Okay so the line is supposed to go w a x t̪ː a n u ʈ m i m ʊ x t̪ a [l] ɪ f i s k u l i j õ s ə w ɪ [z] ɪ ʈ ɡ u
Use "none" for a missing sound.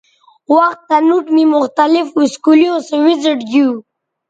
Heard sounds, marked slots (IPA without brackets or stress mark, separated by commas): l, z